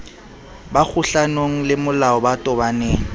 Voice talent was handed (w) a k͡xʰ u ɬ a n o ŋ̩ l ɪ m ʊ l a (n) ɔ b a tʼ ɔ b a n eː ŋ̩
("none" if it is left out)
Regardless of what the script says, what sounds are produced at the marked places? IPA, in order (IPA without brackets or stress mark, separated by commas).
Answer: b, none